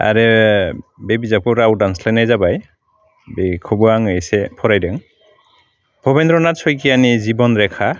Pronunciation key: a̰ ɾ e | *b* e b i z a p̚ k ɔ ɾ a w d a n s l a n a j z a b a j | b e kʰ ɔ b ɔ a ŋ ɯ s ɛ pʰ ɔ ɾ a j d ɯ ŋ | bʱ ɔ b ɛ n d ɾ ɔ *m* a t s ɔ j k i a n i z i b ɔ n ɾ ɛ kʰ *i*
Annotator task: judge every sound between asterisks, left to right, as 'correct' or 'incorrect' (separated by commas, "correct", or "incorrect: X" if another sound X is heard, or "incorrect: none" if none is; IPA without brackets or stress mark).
correct, incorrect: n, incorrect: a